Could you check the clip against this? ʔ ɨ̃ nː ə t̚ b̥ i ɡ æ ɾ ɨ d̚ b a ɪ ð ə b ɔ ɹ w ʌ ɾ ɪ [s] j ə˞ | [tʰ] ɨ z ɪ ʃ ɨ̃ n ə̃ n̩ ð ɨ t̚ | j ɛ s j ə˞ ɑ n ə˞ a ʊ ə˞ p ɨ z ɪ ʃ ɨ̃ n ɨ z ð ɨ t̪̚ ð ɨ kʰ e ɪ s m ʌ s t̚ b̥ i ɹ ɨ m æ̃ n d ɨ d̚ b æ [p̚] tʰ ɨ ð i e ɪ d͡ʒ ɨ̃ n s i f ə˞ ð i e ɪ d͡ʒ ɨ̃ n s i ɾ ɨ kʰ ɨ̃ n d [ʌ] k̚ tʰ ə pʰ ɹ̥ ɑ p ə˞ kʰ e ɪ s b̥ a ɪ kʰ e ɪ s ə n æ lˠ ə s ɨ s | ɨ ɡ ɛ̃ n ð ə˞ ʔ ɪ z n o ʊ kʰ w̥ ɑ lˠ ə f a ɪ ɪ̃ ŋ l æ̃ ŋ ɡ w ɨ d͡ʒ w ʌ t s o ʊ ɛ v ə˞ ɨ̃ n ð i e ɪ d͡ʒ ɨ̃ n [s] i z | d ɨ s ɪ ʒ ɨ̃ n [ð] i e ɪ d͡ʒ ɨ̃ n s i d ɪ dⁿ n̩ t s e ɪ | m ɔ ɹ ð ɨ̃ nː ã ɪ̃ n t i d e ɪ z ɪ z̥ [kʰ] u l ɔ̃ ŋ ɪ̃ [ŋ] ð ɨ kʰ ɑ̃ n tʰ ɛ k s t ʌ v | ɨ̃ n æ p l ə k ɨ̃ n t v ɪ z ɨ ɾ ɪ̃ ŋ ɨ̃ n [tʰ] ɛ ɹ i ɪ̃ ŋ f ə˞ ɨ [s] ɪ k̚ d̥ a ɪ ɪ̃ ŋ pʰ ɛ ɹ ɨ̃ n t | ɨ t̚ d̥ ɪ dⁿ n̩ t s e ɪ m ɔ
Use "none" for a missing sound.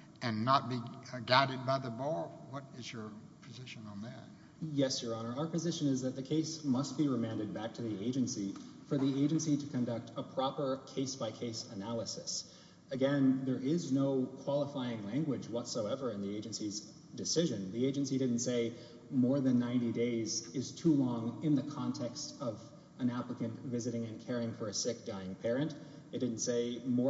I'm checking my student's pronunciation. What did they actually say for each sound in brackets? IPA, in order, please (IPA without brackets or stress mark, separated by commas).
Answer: z, pʰ, k̚, ʌ, s, ð, tʰ, n, kʰ, s